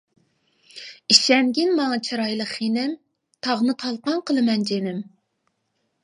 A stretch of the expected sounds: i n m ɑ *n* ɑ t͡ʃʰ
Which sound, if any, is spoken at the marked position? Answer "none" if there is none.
ŋ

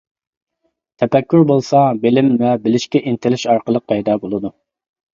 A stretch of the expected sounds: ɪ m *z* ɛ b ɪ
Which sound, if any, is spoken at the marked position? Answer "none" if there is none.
v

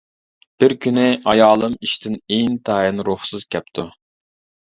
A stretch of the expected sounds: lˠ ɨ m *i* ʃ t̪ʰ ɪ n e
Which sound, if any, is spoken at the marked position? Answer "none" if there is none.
i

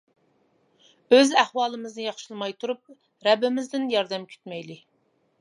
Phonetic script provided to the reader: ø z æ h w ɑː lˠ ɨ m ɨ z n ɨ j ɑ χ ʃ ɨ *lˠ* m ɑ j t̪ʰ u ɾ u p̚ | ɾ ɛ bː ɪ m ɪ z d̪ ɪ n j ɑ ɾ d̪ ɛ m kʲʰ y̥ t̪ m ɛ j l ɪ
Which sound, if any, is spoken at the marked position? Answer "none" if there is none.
lˠ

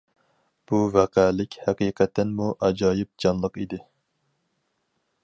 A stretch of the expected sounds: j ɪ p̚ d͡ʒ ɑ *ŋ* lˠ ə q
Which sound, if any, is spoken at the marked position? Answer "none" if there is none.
n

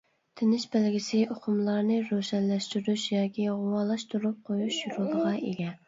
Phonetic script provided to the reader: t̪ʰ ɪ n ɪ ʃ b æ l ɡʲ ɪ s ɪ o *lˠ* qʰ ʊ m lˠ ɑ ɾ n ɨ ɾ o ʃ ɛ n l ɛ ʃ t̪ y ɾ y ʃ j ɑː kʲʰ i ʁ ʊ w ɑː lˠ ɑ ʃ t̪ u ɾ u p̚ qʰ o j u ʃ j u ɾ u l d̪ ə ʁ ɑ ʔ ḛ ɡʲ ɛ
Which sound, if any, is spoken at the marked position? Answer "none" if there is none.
none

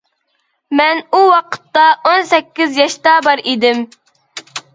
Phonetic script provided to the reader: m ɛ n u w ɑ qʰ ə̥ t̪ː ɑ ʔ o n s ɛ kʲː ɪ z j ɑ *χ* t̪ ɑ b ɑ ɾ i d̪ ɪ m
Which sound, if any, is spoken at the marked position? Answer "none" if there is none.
ʃ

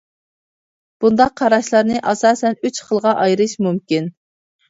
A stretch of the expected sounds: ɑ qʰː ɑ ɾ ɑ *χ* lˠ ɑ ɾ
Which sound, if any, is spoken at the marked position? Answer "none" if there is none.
ʃ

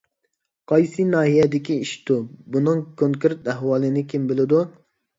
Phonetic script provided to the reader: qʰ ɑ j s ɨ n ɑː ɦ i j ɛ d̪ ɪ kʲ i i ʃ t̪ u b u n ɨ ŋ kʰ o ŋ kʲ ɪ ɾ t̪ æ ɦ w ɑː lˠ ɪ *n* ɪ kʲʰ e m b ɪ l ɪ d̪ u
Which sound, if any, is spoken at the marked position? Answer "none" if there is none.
n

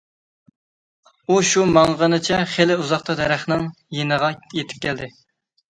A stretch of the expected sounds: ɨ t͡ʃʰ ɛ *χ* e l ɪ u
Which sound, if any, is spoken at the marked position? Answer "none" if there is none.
χ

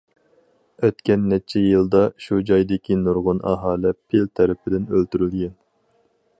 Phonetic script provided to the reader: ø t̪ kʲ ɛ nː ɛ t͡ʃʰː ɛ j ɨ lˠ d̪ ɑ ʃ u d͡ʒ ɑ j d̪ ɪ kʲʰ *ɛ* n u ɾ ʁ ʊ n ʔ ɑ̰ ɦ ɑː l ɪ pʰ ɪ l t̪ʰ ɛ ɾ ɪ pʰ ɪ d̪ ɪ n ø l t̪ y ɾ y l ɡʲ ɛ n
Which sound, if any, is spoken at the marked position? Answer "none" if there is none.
i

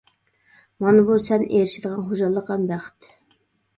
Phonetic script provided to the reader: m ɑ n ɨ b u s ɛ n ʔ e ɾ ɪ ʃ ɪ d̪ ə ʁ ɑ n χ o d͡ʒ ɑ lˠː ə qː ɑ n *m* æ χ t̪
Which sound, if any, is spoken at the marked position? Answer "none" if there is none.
b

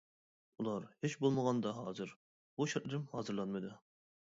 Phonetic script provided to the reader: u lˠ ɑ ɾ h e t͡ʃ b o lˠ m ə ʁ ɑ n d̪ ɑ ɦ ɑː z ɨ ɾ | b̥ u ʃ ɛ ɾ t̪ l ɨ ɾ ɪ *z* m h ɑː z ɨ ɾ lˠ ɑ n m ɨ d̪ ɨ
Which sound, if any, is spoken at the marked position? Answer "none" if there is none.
none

